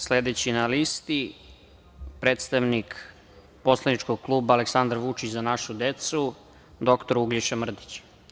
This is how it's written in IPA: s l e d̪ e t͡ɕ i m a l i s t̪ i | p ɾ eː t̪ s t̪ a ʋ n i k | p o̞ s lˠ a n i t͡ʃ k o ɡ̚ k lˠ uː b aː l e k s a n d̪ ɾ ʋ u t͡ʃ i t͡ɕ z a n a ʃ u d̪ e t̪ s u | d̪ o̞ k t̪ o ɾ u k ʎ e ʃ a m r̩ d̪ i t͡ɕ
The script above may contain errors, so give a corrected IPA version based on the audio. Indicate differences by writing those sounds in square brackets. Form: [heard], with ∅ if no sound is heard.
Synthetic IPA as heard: s l e d̪ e t͡ɕ i [n] a l i s t̪ i | p ɾ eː t̪ s t̪ a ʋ n i k | p o̞ s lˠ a n i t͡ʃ k o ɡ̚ k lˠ uː b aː l e k s a n d̪ ɾ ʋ u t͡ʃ i t͡ɕ z a n a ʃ u d̪ e t̪ s u | d̪ o̞ k t̪ o ɾ u [ɡ] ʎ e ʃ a m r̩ d̪ i t͡ɕ